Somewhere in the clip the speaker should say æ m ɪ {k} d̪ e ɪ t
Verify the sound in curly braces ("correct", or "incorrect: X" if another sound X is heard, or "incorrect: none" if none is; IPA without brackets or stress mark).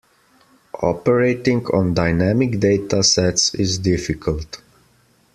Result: correct